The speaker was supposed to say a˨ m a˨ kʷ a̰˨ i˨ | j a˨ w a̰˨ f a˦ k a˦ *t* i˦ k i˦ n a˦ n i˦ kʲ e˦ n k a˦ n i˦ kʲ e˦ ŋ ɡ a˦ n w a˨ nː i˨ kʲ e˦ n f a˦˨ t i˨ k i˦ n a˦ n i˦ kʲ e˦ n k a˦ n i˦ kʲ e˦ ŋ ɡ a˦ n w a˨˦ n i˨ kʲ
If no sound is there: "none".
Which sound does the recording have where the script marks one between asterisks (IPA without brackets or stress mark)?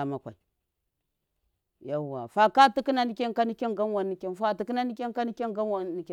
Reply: t